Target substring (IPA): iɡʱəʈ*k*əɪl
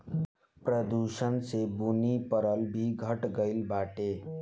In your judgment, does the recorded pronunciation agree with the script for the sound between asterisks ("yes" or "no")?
no